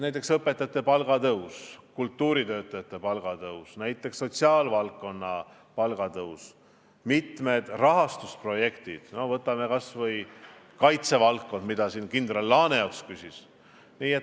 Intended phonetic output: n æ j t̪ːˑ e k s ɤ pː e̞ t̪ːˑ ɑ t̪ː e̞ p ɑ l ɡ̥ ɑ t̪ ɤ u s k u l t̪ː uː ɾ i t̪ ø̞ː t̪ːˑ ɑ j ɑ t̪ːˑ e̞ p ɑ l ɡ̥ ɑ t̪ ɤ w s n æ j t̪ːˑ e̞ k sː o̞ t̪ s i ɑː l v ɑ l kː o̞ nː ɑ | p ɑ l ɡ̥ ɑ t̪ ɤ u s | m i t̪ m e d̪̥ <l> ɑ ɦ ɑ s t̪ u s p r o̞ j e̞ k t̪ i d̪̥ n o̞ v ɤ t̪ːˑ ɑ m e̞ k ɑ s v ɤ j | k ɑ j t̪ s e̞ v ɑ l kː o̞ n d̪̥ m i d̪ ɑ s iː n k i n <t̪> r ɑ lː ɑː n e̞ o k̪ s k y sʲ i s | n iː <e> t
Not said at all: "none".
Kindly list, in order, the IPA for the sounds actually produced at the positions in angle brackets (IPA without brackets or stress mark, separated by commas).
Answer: r, d̪, e